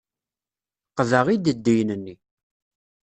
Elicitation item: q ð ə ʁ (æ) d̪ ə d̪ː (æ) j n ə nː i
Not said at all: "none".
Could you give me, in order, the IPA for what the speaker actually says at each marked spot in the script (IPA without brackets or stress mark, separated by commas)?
i, i